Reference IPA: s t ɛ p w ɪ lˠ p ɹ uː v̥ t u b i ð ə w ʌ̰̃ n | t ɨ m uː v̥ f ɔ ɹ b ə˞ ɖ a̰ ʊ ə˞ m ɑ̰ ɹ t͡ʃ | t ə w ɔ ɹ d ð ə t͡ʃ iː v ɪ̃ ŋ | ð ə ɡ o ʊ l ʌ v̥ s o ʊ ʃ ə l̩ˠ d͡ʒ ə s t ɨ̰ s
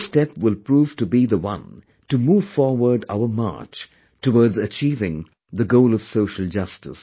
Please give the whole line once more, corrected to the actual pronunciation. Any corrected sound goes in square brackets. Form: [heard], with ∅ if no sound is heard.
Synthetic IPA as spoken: s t ɛ p w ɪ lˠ p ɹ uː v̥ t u b i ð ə w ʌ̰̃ n | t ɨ m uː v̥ f ɔ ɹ [w] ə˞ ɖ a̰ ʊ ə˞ m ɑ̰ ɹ t͡ʃ | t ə w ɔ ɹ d [z] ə t͡ʃ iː v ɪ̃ ŋ | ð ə ɡ o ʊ l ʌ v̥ s o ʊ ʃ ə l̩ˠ d͡ʒ [ʌ] s t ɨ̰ s